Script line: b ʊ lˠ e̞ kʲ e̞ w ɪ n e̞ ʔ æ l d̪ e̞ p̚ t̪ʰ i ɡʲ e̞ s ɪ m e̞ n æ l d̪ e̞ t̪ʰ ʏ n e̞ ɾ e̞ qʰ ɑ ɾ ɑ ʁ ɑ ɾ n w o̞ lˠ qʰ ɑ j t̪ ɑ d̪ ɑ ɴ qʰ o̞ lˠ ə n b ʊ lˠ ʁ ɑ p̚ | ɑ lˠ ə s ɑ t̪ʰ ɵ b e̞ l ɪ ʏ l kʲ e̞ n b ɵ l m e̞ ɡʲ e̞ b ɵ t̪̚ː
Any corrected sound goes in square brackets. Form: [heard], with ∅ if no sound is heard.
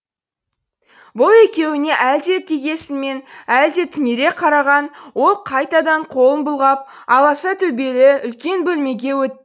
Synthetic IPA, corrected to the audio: b ʊ lˠ e̞ kʲ e̞ w ɪ n e̞ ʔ æ l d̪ e̞ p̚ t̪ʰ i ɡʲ e̞ s ɪ m e̞ n æ l d̪ e̞ t̪ʰ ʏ n e̞ ɾ e̞ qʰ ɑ ɾ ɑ ʁ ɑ [∅] n w o̞ lˠ qʰ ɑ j t̪ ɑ d̪ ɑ ɴ qʰ o̞ lˠ ə n b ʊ lˠ ʁ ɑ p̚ | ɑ lˠ [ɑ] s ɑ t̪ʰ ɵ b e̞ l ɪ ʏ l kʲ e̞ n b ɵ l m e̞ ɡʲ e̞ [w] ɵ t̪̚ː